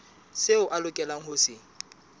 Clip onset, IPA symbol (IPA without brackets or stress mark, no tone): s